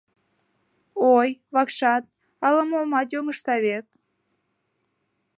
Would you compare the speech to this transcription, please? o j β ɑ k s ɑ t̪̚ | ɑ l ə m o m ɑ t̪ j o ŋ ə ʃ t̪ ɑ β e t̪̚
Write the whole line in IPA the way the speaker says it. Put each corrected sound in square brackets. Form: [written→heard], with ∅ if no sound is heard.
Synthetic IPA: o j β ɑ k [s→ʃ] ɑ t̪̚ | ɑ l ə m o m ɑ t̪ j o ŋ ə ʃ t̪ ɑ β e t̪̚